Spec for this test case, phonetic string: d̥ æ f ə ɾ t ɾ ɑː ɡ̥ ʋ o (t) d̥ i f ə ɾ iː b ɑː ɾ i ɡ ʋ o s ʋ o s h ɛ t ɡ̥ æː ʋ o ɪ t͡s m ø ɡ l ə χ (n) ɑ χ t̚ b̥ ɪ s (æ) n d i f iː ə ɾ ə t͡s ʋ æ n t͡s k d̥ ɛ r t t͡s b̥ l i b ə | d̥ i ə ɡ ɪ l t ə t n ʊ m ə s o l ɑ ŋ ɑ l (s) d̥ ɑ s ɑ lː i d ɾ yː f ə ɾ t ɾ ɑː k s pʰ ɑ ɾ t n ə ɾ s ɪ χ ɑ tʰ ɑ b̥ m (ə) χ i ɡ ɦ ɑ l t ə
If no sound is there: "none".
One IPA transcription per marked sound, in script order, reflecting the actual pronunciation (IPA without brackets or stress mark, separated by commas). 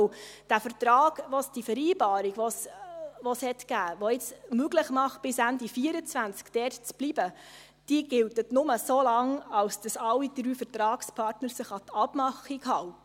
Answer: s, m, æ, s, ɑ